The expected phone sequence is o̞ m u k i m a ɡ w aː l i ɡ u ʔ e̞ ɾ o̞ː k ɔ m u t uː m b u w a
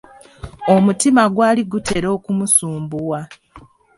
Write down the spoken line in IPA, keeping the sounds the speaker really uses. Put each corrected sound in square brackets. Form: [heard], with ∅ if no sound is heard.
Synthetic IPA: o̞ m u [t] i m a ɡ w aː l i ɡ u [t] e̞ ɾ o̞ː k [u] m u [s] uː m b u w a